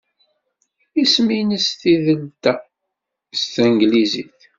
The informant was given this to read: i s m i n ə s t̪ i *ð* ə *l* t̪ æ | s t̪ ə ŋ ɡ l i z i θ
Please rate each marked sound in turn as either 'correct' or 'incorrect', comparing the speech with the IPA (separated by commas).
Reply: correct, correct